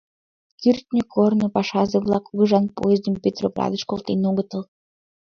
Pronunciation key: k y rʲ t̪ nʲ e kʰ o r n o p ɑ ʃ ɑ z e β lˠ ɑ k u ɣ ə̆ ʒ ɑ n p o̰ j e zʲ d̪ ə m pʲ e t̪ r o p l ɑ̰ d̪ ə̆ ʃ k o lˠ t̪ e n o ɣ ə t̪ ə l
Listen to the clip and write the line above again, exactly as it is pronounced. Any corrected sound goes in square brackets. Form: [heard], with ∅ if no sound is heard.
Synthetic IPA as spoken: k y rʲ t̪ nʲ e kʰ o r n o p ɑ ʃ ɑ z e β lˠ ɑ k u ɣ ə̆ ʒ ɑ n p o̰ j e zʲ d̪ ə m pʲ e t̪ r o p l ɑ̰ d̪ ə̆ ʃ k o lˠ t̪ e n o ɣ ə t̪ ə l